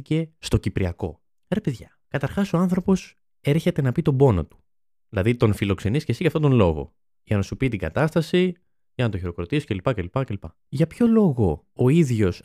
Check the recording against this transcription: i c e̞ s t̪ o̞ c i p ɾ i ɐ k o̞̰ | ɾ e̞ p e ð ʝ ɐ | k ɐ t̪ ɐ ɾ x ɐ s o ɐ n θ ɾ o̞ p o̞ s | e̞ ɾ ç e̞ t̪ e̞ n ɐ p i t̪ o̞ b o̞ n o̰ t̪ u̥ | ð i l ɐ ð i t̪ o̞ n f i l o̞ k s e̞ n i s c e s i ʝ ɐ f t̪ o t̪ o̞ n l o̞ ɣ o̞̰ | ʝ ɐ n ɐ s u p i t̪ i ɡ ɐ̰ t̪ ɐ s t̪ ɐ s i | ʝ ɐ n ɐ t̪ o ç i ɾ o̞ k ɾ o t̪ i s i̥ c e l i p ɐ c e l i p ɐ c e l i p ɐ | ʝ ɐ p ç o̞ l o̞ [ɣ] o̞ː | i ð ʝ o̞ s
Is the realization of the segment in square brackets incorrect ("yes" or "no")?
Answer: no